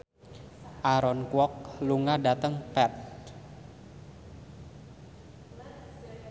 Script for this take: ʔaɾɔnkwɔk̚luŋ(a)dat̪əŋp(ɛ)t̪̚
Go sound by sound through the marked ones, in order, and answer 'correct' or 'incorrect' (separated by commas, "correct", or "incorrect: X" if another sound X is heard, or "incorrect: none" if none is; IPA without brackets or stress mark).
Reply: correct, correct